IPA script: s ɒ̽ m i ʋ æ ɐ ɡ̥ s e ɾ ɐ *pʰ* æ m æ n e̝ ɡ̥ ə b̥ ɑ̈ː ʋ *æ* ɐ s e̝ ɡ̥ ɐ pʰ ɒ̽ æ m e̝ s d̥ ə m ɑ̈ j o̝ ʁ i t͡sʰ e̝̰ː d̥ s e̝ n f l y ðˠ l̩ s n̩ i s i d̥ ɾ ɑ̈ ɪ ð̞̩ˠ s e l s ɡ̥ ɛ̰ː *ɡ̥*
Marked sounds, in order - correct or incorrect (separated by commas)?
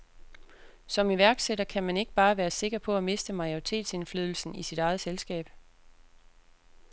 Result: incorrect, incorrect, incorrect